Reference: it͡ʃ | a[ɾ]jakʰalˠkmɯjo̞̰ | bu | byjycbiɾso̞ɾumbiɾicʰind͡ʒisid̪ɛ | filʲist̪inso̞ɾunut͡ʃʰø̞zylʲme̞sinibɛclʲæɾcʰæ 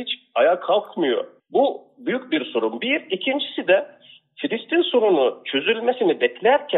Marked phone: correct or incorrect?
incorrect